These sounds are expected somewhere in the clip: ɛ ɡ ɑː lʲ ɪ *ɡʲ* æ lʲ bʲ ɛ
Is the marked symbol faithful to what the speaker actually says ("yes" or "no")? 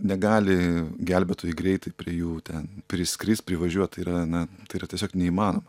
yes